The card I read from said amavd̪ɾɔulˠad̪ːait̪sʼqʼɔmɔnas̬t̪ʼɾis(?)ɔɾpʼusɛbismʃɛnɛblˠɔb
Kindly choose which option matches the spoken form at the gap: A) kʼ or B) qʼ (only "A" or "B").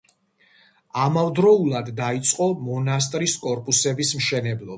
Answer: A